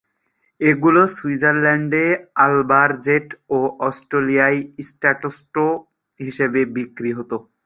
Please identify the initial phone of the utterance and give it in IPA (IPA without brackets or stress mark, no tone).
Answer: e